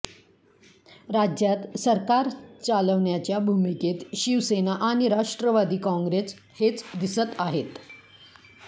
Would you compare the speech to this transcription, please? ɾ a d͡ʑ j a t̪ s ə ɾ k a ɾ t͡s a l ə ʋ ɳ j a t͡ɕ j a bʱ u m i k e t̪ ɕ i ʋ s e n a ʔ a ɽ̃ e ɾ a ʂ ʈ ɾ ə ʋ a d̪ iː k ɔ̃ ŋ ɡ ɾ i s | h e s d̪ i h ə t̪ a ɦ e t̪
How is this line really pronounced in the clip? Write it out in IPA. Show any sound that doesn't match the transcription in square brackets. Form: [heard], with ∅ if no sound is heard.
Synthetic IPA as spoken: ɾ a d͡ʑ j a t̪ s ə ɾ k a ɾ t͡s a l ə ʋ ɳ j a t͡ɕ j a bʱ u m i k e t̪ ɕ i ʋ s e n a ʔ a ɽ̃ [i] ɾ a ʂ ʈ ɾ ə ʋ a d̪ iː k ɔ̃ ŋ ɡ ɾ [e] s | h e [t͡s] d̪ i [s] ə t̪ a ɦ e t̪